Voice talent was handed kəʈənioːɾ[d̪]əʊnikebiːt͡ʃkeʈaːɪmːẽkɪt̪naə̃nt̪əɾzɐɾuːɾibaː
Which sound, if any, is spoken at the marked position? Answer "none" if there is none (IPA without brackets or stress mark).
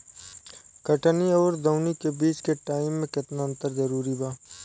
d̪